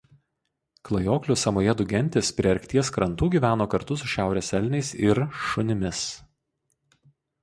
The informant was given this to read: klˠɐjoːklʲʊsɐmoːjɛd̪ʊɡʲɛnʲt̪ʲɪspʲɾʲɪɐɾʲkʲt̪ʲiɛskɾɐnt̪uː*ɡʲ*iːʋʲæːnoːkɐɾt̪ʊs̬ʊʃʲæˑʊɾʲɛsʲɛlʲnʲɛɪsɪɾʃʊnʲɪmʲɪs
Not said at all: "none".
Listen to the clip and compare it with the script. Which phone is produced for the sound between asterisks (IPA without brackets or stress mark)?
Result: ɡʲ